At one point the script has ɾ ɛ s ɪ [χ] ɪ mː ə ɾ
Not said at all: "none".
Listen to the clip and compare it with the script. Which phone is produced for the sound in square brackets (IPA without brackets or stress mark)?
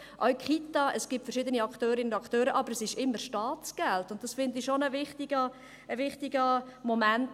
ʃ